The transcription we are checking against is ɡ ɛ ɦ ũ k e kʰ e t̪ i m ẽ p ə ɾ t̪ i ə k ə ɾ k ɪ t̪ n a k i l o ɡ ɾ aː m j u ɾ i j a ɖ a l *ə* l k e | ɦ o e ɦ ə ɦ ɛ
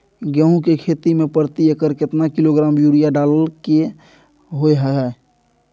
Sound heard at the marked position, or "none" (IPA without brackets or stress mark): ə